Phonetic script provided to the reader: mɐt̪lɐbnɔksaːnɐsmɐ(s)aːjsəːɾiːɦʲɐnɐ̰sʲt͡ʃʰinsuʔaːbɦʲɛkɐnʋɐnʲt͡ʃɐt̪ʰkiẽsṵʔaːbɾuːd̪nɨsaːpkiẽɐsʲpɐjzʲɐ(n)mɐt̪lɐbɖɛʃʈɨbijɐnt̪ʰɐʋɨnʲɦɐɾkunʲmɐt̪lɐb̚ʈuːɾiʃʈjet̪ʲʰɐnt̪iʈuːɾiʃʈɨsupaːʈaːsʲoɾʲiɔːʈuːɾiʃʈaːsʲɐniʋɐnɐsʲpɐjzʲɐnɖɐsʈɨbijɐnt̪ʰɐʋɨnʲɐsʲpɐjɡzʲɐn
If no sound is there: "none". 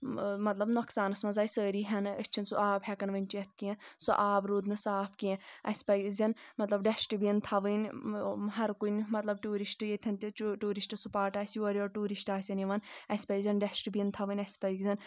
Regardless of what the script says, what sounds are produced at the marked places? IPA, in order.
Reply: z, n

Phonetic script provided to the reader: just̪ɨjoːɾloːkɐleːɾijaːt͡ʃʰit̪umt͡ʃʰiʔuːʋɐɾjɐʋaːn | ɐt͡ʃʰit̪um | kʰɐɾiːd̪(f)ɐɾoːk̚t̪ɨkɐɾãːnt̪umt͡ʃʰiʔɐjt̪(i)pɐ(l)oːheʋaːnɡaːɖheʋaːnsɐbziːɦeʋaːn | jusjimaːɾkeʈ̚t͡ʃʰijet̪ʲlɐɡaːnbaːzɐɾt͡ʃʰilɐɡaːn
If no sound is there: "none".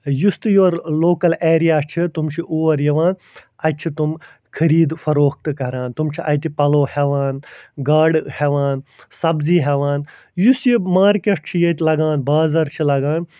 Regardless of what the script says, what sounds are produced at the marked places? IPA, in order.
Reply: f, i, l

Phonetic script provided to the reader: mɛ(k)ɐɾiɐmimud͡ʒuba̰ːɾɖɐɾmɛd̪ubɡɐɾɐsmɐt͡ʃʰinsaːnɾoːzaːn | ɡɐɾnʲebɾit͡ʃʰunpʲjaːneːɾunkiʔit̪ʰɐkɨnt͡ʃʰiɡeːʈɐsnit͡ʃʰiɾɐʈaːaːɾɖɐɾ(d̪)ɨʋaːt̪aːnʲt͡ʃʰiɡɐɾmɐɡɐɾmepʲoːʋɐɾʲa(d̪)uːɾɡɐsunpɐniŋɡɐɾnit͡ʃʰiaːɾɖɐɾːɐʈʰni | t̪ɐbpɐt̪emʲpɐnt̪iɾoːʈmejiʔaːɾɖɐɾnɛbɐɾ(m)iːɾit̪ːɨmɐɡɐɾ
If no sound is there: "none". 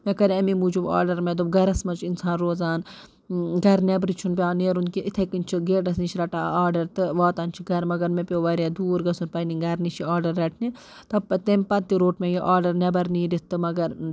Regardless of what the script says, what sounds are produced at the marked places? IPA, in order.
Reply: k, t̪, d̪, n

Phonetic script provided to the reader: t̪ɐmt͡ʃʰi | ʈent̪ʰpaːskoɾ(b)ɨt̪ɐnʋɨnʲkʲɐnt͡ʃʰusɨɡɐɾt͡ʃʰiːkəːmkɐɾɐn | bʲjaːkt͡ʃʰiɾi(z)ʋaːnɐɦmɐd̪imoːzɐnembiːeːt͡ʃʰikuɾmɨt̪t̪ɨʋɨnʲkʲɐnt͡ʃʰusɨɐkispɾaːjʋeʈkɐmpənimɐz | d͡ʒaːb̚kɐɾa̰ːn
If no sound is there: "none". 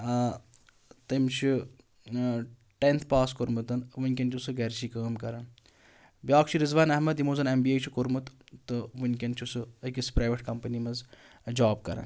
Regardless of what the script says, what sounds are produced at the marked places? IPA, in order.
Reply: m, z

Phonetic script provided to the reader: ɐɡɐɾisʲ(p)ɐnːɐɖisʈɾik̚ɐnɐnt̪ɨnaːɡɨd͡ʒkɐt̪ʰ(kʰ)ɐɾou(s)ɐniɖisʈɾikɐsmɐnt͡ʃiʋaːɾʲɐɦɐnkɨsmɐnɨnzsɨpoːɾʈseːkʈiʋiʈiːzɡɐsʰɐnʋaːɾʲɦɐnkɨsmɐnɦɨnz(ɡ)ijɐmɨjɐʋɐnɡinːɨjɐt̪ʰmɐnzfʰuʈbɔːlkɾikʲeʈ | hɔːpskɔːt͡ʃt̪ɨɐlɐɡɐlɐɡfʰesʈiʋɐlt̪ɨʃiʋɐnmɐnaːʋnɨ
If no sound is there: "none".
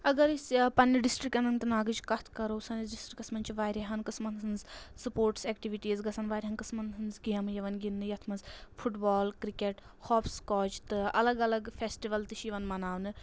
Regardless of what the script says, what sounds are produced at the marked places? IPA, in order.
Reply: p, k, s, ɡ

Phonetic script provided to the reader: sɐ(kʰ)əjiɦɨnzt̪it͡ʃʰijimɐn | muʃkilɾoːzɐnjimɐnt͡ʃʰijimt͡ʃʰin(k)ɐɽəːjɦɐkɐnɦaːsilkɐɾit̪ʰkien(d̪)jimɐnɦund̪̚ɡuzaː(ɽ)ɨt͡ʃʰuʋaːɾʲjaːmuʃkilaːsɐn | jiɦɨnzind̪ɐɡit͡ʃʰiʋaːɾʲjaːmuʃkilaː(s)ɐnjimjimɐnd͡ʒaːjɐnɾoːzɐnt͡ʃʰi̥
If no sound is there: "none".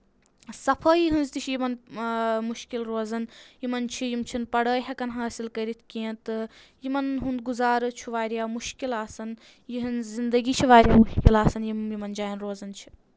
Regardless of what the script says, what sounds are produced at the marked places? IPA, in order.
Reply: pʰ, p, t̪, ɾ, s

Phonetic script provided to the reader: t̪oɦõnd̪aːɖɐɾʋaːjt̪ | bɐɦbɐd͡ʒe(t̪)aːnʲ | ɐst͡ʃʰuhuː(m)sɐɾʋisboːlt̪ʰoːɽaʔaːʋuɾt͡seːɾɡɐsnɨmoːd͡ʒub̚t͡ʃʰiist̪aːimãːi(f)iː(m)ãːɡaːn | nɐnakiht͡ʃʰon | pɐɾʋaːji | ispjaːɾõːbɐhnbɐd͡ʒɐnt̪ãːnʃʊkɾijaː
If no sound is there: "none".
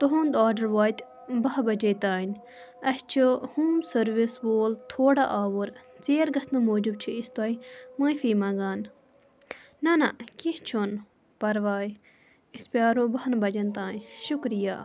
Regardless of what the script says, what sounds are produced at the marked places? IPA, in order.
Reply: t̪, m, f, m

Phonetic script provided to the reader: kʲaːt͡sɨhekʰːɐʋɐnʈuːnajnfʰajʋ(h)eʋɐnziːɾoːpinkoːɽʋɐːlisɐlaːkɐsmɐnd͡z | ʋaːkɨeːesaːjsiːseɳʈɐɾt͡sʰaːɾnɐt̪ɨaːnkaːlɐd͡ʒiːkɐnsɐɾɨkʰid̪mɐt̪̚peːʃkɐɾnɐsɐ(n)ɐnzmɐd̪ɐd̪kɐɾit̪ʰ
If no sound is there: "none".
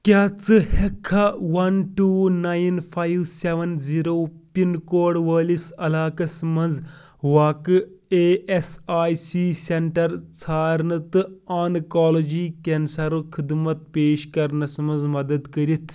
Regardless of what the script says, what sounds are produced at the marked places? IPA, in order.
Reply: s, m

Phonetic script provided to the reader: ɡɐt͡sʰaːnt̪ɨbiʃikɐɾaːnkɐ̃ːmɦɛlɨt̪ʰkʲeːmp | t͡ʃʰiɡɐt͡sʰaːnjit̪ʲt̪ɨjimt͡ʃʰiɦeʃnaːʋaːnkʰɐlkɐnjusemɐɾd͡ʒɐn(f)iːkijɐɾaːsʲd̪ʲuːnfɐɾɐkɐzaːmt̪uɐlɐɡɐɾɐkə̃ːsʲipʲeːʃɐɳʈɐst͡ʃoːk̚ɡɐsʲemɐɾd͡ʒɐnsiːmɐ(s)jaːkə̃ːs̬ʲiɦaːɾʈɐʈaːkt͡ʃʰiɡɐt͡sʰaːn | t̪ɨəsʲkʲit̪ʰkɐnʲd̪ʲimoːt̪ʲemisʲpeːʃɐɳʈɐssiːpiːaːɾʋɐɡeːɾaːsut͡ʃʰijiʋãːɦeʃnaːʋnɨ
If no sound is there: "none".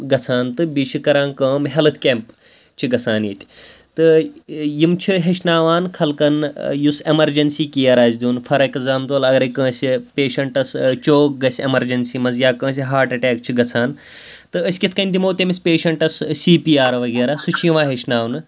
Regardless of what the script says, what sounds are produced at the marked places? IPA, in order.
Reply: s, z

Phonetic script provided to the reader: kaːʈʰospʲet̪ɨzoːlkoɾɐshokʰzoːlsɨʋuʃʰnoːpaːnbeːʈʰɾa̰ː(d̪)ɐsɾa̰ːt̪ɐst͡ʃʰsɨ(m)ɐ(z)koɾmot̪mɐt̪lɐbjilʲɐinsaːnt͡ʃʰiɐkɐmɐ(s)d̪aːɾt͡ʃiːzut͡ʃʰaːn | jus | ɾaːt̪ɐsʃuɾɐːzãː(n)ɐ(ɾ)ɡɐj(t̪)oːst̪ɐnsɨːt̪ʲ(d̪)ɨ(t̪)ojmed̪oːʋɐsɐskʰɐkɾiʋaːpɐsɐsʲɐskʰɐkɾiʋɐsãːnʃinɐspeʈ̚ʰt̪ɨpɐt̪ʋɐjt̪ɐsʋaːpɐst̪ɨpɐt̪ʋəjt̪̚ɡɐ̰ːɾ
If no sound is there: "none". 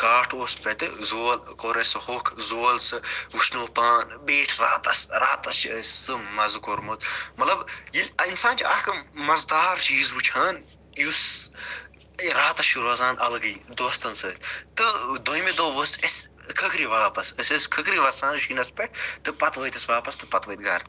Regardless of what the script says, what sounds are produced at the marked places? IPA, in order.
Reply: t̪, m, z, z, n, l, d̪, t̪, d̪

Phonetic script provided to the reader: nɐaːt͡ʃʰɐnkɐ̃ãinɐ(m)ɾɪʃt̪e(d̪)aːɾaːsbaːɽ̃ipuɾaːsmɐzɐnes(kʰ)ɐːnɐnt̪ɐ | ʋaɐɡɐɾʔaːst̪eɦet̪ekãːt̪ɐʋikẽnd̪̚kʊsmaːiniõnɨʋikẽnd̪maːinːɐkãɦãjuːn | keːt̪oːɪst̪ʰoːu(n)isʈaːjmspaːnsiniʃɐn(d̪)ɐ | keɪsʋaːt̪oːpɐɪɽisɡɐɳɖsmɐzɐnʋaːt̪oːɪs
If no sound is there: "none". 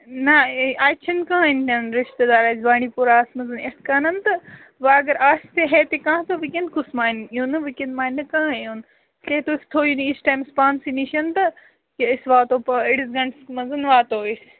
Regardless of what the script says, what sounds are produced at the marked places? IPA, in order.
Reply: n, d̪, k, n, t̪

